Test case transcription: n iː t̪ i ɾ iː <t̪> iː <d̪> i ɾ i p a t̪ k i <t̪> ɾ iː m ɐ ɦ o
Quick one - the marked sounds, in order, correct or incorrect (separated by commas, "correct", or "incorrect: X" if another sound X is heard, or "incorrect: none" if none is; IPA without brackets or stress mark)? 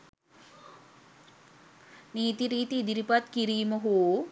correct, correct, incorrect: none